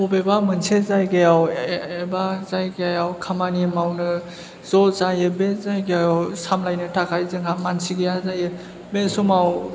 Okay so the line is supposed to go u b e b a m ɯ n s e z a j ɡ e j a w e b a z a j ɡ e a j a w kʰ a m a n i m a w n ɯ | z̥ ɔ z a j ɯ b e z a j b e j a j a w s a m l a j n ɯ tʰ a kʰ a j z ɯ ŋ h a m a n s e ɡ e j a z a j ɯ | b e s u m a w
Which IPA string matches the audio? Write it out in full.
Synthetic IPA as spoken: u b e b a m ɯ n s e z a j ɡ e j a w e b a z a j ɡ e a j a w kʰ a m a n i m a w n ɯ | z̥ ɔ z a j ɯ b e z a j ɡ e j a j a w s a m l a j n ɯ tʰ a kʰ a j z ɯ ŋ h a m a n s i ɡ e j a z a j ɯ | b e s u m a w